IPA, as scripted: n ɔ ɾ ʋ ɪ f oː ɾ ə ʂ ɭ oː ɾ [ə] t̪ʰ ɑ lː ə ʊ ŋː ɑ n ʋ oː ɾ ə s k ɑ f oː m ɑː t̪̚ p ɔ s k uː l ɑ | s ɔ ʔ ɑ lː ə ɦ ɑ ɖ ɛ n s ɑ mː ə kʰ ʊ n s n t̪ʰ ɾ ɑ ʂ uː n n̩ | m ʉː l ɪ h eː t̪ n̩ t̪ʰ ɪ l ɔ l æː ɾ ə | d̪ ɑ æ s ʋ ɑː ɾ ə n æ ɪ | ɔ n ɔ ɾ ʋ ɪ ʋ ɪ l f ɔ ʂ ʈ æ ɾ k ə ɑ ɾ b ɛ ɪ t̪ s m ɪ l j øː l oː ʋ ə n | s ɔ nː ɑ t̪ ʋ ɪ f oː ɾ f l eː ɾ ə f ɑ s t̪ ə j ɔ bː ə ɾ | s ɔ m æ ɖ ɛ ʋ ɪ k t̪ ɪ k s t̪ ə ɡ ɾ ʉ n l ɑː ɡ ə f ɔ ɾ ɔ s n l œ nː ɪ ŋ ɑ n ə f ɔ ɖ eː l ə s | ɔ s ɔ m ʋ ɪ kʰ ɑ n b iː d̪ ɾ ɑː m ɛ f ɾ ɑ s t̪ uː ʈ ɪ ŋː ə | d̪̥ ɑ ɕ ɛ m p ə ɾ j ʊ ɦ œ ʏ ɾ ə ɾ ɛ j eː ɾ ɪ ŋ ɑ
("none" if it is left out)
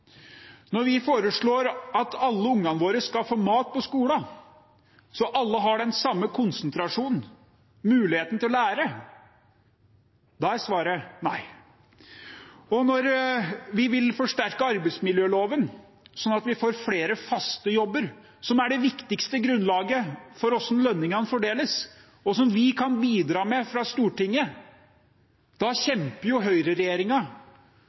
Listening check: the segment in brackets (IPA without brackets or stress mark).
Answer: ɑ